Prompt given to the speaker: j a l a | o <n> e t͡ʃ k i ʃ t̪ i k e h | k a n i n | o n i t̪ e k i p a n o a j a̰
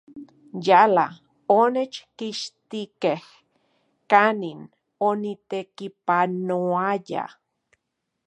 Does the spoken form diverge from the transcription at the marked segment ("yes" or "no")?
no